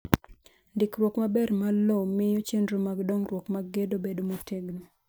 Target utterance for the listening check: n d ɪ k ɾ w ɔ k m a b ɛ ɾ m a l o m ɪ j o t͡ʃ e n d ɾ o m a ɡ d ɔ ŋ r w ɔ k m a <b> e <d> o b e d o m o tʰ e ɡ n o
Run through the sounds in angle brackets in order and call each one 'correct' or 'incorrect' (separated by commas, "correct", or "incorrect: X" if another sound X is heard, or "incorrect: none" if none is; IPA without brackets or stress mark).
incorrect: ɡ, correct